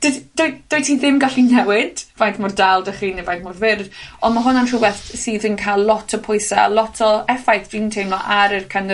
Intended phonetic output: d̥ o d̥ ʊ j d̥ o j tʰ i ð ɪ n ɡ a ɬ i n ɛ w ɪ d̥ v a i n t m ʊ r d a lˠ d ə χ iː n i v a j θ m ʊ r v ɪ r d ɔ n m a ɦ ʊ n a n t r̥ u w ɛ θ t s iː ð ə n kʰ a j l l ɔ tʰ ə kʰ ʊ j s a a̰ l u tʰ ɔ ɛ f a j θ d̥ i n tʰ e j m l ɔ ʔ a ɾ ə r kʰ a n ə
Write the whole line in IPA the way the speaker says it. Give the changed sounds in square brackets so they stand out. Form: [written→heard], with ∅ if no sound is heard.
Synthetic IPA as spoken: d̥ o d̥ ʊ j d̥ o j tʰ i ð ɪ [n→m] ɡ a ɬ i n ɛ w ɪ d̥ v a [i→j] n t m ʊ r d a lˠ d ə χ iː n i v a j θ m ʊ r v ɪ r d ɔ n m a ɦ ʊ n a n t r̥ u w ɛ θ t s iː ð ə n kʰ a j l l ɔ tʰ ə [kʰ→pʰ] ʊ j s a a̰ l [u→ɔ] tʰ ɔ ɛ f a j θ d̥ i n tʰ e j m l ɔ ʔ a ɾ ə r kʰ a n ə